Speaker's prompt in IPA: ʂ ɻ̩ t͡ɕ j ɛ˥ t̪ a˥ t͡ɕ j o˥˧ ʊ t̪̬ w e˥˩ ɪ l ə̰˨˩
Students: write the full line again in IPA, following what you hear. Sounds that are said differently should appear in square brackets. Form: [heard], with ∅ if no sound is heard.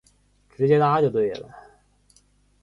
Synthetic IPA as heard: [ʈ͡ʂ] ɻ̩ t͡ɕ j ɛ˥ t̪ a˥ t͡ɕ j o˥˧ ʊ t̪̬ w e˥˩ ɪ l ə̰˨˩